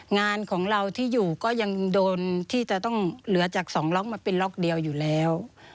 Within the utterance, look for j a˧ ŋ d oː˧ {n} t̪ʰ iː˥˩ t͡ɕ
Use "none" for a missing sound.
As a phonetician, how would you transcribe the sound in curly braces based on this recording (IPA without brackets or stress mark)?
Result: n